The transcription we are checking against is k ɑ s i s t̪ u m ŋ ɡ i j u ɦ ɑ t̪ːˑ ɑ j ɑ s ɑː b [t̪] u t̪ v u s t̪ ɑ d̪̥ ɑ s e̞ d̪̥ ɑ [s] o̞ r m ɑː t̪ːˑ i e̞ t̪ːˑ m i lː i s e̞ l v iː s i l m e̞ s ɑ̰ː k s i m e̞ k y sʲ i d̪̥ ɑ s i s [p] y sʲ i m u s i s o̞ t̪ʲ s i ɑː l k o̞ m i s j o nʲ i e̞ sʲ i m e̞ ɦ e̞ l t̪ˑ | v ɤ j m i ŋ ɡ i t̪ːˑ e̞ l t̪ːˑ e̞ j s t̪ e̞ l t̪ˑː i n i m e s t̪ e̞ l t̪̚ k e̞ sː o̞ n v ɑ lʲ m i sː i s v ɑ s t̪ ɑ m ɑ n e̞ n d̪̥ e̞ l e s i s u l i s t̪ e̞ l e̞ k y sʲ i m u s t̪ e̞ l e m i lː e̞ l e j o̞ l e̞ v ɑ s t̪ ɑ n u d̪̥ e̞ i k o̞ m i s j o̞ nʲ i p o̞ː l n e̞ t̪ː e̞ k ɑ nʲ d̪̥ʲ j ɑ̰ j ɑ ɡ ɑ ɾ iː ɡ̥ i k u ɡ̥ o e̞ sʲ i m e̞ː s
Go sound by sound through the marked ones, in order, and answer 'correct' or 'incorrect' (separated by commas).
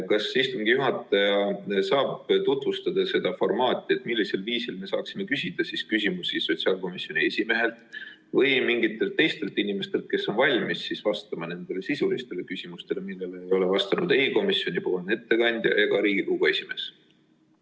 correct, incorrect, incorrect